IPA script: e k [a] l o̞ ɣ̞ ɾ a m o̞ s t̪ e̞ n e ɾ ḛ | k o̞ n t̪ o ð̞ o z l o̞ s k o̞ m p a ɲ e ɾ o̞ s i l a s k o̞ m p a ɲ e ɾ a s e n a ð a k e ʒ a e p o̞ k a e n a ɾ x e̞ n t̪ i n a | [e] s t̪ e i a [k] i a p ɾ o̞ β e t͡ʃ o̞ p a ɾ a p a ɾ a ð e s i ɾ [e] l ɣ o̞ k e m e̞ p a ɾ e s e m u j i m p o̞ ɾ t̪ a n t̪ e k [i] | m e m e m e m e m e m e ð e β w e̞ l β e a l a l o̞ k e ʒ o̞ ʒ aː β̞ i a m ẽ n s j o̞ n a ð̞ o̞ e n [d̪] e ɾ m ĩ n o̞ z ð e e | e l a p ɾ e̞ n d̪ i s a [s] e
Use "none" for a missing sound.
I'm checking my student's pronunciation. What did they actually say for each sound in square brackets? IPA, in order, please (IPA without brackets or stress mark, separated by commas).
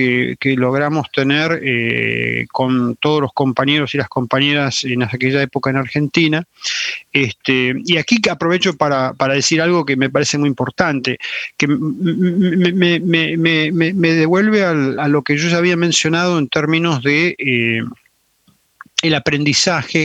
e, e, k, a, e, t̪, x